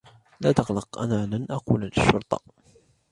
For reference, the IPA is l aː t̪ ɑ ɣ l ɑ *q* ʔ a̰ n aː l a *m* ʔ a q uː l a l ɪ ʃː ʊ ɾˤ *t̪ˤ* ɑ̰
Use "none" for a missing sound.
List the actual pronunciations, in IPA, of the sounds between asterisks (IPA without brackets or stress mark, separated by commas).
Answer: q, n, t̪ˤ